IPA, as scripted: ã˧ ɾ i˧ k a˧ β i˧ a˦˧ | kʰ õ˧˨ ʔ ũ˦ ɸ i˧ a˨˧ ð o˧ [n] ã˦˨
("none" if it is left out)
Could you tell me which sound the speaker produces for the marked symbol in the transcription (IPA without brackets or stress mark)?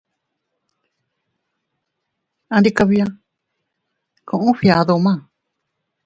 m